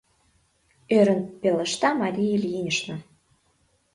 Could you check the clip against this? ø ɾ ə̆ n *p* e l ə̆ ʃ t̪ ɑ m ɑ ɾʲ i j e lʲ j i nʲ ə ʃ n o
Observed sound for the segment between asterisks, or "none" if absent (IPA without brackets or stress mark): p